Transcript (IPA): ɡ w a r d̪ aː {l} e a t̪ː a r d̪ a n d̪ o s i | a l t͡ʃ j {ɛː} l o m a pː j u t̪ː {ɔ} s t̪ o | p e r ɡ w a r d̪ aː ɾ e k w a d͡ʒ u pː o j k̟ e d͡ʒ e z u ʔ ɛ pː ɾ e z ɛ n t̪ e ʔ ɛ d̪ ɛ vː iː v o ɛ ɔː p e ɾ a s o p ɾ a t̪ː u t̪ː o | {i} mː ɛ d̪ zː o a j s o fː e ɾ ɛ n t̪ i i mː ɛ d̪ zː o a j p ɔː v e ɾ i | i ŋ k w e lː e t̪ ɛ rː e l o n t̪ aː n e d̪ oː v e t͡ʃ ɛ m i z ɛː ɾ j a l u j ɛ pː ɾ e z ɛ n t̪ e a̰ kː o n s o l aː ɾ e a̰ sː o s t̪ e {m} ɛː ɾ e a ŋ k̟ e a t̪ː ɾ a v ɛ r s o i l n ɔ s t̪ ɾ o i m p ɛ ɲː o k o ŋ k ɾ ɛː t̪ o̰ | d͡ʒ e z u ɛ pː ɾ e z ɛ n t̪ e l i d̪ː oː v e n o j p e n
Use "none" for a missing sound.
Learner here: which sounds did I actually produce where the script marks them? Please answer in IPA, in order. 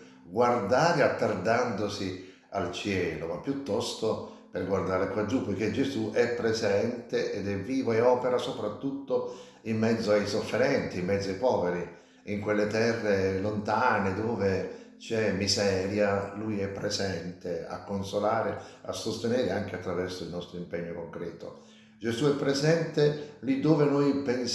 ɾ, ɛː, ɔ, i, n

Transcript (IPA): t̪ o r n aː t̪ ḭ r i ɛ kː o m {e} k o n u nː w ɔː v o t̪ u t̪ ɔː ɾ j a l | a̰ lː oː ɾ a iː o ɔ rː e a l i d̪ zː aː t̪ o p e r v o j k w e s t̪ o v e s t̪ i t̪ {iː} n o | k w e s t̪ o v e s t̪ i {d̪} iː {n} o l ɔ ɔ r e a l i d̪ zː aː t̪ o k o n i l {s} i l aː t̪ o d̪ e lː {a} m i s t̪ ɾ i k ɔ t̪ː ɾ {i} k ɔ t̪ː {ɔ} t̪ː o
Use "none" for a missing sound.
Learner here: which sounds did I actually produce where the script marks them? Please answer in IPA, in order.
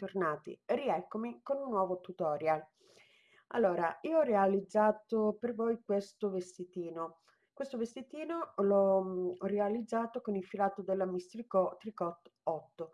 i, iː, t̪, n, f, a, i, ɔ

